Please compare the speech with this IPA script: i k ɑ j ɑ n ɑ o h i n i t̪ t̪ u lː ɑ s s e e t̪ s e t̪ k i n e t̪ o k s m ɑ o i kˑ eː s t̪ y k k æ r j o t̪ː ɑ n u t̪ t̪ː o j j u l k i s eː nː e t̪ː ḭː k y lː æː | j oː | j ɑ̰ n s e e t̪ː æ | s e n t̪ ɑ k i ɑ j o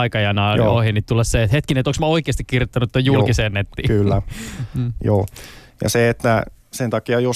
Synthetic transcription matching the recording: i k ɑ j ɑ n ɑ o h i n i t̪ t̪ u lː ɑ s s e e t̪ h e t̪ k i n e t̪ o k s m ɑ o i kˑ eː s t̪ i k k i r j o t̪ː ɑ n u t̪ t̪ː o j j u l k i s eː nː e t̪ː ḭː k y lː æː | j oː | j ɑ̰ s e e t̪ː æ | s e n t̪ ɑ k i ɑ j o